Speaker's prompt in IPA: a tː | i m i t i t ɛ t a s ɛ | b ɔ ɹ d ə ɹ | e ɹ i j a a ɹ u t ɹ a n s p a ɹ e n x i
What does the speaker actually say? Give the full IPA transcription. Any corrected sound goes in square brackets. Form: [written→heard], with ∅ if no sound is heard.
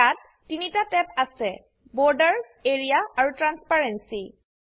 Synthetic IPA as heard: a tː | i [m→n] i t [i→a] t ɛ [t→p] a s ɛ | b ɔ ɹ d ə ɹ | e ɹ i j a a ɹ u t ɹ a n s p a ɹ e n [x→s] i

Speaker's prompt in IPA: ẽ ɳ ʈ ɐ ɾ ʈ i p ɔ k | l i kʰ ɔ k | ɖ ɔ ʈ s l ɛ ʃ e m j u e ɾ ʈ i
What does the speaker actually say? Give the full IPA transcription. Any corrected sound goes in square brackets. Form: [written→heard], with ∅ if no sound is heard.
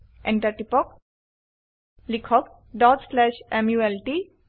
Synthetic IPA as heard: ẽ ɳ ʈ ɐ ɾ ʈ i p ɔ k | l i kʰ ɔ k | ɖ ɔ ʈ s l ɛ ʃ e m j u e [ɾ→l] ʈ i

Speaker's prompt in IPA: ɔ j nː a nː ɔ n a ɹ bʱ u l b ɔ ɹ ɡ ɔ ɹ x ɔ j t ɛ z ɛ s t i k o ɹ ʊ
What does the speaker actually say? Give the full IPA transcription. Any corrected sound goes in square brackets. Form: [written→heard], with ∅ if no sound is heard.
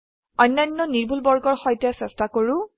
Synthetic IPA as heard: ɔ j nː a nː ɔ n [a→i] ɹ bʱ u l b ɔ ɹ ɡ ɔ ɹ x ɔ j t ɛ [z→s] ɛ s t [i→a] k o ɹ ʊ

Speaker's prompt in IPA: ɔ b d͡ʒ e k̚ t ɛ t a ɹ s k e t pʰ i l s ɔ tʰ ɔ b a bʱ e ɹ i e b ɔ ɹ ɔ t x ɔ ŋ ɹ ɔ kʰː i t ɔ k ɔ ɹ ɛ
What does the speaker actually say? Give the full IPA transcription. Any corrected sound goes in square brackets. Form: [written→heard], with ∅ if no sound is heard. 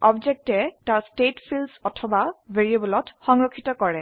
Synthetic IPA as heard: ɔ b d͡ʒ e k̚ t ɛ t a ɹ s [k→t] e t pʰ i l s ɔ tʰ ɔ b a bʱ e ɹ i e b ɔ [ɹ→l] ɔ t x ɔ ŋ ɹ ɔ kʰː i t ɔ k ɔ ɹ ɛ

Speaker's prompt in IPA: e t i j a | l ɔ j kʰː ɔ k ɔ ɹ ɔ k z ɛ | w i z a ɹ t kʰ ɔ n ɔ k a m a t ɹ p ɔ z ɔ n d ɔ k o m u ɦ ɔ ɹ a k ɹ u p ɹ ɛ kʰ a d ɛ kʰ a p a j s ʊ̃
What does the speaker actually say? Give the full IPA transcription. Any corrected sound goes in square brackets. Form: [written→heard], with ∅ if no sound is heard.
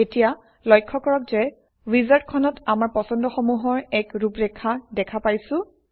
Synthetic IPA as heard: e t i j a | l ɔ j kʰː ɔ k ɔ ɹ ɔ k z ɛ | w i z a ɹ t kʰ ɔ n ɔ [k→t] a m a [t→∅] ɹ p ɔ [z→s] ɔ n d ɔ [k→x] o m u ɦ ɔ ɹ [a→ɛ] k ɹ u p ɹ ɛ kʰ a d ɛ kʰ a p a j s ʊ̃

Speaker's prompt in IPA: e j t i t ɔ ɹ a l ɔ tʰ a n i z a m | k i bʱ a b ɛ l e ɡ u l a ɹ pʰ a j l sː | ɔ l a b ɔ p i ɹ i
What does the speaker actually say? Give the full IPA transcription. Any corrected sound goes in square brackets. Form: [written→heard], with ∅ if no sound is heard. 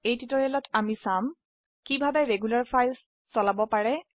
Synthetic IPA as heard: e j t i t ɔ ɹ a l ɔ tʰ a [n→m] i [z→s] a m | k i bʱ a b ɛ [l→ɹ] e ɡ u l a ɹ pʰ a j l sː | ɔ l a b ɔ p [i→a] ɹ [i→ɛ]

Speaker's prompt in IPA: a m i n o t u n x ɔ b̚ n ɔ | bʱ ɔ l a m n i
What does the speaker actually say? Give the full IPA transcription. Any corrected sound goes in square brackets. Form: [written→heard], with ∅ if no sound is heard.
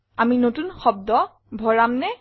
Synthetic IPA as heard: a m i n o t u n x ɔ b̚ [n→d] ɔ | bʱ ɔ [l→ɹ] a m n [i→ɛ]

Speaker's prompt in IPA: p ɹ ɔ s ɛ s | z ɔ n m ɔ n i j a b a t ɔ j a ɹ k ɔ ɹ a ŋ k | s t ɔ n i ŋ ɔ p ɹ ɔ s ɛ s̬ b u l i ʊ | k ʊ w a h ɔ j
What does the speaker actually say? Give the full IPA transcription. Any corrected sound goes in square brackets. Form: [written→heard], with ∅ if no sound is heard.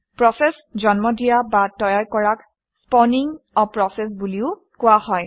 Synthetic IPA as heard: p ɹ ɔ s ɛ s | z ɔ n m ɔ [n→d] i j a b a t ɔ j a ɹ k ɔ ɹ a [ŋ→∅] k | s [t→p] ɔ n i ŋ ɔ p ɹ ɔ s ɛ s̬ b u l i ʊ | k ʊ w a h ɔ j

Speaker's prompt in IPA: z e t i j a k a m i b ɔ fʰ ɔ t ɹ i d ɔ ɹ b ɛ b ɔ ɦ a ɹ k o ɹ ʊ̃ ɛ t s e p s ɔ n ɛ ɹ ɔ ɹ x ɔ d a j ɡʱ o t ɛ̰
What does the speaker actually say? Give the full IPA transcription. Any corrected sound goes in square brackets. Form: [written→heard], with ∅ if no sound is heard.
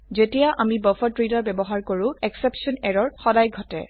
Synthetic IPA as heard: z e t i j a [k→ʔ] a m i b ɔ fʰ ɔ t ɹ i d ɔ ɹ b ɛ b ɔ ɦ a ɹ k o ɹ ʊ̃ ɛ [t→k] s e p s ɔ n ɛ ɹ ɔ ɹ x ɔ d a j ɡʱ [o→ɔ] t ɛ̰

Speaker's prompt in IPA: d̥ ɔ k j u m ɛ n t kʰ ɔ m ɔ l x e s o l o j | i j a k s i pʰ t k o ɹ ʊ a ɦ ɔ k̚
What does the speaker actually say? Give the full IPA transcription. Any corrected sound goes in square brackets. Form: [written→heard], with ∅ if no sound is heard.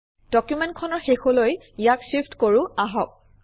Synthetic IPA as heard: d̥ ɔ k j u m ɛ n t kʰ ɔ [m→n] ɔ [l→ɹ] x e [s→x] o l o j | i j a k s i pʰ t k o ɹ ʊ a ɦ ɔ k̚

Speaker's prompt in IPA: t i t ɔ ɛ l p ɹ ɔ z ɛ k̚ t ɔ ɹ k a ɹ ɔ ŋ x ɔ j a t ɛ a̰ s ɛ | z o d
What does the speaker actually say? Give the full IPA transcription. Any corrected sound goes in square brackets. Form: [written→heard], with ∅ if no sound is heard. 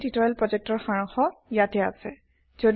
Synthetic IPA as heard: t i t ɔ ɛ l p ɹ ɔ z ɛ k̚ t ɔ ɹ [k→x] a ɹ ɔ ŋ x ɔ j a t ɛ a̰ s ɛ | z o d

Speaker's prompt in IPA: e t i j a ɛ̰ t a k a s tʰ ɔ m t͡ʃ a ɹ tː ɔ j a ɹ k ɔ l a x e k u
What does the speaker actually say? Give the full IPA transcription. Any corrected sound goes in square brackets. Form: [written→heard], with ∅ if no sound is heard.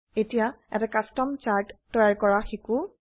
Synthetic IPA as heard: e t i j a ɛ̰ t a k a s [tʰ→t] ɔ m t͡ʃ a ɹ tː ɔ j a ɹ k ɔ [l→ɹ] a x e k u

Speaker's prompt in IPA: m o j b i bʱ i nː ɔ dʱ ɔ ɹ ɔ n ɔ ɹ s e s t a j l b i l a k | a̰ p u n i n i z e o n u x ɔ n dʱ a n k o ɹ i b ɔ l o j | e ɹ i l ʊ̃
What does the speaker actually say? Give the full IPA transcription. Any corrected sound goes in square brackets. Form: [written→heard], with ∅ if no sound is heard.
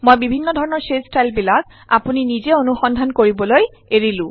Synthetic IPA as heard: m o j b i bʱ i nː ɔ dʱ ɔ ɹ ɔ n ɔ ɹ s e s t a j l b i l a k | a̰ p u n i n i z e o n u x ɔ n dʱ a n k o ɹ i b ɔ l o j | e ɹ i l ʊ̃

